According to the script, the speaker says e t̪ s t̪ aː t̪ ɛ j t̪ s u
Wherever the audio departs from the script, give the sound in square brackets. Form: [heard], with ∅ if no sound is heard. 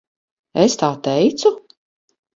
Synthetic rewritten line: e [∅] s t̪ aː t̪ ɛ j t̪ s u